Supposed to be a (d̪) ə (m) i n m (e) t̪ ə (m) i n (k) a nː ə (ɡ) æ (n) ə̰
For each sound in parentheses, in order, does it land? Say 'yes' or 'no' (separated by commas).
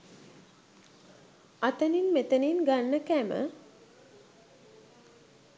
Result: no, no, yes, no, no, no, no